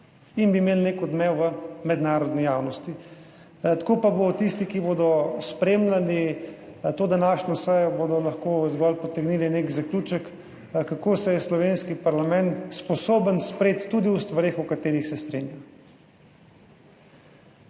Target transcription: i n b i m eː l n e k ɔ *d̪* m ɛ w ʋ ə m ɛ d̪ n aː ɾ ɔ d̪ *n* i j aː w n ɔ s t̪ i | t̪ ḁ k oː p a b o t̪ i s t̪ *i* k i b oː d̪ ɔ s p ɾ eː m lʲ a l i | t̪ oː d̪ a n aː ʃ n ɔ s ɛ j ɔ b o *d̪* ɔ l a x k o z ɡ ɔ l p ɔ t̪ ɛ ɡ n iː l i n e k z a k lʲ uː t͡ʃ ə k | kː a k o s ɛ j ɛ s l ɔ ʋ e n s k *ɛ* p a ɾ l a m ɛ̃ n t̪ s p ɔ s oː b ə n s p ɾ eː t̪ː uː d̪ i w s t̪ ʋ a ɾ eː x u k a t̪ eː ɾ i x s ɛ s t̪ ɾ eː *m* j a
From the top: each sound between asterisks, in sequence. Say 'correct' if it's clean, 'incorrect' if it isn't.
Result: correct, correct, correct, correct, incorrect: i, incorrect: n

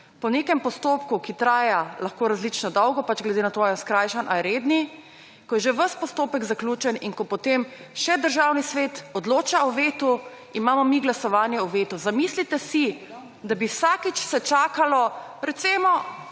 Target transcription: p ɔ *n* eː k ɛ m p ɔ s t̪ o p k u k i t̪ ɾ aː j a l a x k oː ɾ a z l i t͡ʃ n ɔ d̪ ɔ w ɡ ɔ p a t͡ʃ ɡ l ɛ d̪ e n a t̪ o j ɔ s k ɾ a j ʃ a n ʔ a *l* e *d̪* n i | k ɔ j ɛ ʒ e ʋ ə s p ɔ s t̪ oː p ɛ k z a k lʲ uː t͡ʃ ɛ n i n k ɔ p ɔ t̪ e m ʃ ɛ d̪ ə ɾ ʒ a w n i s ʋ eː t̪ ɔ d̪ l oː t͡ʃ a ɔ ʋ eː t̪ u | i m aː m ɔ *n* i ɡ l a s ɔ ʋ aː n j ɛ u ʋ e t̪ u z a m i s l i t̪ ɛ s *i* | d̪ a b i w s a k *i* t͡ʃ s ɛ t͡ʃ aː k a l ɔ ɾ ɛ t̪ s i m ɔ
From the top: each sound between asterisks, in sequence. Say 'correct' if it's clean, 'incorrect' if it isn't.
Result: correct, incorrect: ɾ, correct, incorrect: m, correct, correct

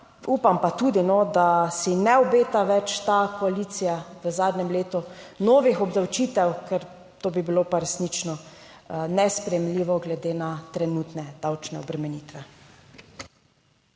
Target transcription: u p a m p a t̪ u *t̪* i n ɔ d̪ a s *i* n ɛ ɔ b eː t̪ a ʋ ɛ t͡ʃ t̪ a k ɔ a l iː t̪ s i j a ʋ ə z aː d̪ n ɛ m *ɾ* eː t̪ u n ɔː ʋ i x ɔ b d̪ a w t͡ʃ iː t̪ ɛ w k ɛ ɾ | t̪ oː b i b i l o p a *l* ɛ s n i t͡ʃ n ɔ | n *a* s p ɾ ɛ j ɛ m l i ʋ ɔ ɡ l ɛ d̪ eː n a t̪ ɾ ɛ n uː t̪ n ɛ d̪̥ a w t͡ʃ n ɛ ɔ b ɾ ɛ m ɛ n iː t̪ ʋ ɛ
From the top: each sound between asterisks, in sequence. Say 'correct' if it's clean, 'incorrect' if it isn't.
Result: incorrect: d̪, correct, incorrect: l, incorrect: ɾ, incorrect: ɛ

